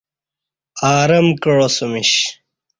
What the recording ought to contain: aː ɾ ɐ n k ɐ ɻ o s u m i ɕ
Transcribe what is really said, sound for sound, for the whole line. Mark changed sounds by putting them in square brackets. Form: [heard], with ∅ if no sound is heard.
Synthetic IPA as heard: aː ɾ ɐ [m] k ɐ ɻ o s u m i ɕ